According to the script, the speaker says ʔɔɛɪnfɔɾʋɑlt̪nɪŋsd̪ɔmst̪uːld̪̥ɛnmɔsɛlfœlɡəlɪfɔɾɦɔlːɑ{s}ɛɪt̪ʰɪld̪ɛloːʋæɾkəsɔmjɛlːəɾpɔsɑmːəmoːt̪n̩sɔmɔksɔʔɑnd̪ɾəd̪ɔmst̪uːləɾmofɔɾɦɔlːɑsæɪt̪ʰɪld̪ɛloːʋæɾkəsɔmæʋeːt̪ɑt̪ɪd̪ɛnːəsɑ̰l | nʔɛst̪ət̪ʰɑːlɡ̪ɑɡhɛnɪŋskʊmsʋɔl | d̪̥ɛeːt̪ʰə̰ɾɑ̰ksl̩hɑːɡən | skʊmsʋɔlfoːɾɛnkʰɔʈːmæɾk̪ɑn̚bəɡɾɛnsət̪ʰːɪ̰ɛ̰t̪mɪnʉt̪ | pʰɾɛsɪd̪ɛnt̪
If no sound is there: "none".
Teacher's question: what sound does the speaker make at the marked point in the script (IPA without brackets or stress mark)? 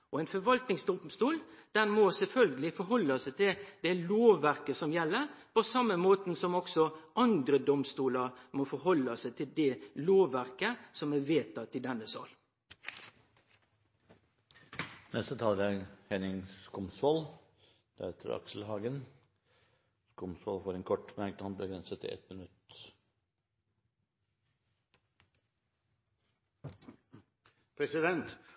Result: s